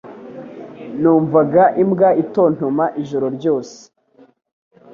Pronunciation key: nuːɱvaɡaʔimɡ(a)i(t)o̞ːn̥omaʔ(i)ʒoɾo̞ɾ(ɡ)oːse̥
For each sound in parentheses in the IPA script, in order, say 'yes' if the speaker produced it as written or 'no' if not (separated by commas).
yes, yes, yes, no